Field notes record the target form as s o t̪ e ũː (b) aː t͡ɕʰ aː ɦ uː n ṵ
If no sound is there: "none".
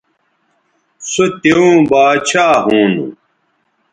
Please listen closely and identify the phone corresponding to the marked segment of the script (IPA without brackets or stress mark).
b